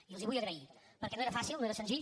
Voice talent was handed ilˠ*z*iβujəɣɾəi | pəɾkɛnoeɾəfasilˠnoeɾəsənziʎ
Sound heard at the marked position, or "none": z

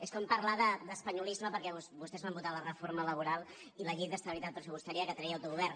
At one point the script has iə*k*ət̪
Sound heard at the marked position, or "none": k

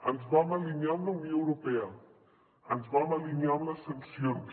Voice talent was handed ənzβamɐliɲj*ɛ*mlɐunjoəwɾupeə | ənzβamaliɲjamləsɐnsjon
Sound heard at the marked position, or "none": a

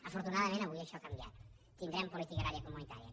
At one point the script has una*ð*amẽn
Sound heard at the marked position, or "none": ð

